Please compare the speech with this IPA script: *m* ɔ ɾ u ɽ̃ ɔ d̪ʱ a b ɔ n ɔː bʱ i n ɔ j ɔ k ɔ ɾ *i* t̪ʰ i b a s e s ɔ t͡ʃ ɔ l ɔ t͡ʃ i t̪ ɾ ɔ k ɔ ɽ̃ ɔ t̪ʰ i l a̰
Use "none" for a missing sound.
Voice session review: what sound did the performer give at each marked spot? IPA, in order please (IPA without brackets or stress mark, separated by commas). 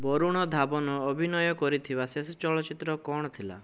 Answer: b, i